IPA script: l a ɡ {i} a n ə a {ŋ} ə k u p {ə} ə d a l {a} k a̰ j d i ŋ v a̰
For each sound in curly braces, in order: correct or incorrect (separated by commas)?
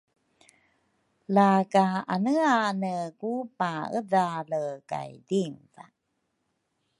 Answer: incorrect, incorrect, incorrect, incorrect